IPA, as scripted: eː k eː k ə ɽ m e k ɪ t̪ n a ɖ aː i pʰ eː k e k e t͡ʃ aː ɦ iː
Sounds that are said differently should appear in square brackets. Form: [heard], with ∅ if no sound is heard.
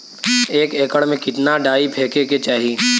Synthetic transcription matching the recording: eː k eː k ə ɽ m [ẽ] k ɪ t̪ n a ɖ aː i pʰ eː k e k e t͡ʃ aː ɦ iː